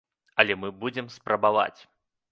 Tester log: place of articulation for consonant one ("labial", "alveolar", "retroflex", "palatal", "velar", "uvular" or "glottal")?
alveolar